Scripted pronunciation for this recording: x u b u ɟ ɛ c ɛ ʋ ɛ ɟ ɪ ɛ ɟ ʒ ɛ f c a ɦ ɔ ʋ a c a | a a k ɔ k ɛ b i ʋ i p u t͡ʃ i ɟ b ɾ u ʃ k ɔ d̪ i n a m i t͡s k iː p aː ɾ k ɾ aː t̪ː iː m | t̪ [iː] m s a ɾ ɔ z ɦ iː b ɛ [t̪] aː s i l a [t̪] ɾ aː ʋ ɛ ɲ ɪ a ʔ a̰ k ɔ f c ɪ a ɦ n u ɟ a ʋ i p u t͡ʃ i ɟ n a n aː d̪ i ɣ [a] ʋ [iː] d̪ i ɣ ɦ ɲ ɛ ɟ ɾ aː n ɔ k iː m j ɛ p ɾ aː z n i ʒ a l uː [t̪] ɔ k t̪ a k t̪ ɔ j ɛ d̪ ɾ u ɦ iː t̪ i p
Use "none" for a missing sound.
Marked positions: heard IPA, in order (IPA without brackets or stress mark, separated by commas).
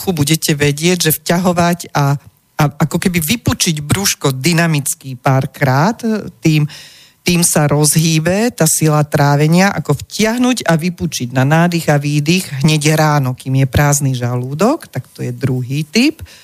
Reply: iː, t̪, t̪, a, iː, d̪